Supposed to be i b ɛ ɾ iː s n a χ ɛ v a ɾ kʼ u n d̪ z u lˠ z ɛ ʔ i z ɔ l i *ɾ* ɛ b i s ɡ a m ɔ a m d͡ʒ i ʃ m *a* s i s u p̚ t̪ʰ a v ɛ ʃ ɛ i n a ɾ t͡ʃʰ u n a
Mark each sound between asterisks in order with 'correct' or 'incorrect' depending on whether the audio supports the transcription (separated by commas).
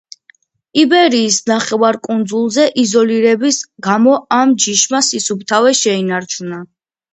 correct, correct